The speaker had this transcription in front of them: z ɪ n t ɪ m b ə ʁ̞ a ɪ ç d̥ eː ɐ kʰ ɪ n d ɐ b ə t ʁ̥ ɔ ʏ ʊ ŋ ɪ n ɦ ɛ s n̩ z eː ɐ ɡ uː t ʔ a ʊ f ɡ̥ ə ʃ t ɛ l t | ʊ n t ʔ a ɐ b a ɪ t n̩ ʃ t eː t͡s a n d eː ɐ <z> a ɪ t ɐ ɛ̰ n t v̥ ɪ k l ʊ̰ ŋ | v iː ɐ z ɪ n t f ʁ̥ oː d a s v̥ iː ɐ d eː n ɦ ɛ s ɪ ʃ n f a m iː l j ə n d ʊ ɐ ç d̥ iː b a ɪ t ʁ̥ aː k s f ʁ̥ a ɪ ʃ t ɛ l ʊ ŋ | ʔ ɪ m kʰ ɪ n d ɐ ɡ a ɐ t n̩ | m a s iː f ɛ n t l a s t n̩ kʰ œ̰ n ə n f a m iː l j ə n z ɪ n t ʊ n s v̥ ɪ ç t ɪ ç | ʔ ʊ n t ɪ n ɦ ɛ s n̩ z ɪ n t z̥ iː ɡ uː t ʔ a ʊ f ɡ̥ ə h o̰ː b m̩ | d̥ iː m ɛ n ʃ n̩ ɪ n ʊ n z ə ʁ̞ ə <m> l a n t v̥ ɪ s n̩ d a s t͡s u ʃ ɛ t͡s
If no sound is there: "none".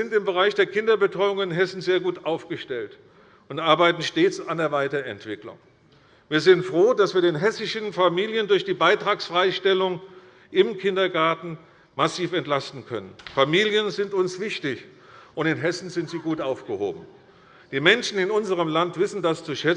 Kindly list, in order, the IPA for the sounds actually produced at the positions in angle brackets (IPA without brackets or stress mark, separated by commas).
v, m